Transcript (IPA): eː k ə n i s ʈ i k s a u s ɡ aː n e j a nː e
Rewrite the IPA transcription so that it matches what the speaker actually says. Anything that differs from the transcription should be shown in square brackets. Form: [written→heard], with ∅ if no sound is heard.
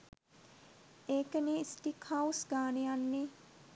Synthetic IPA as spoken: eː k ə n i s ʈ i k [s→h] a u s ɡ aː n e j a nː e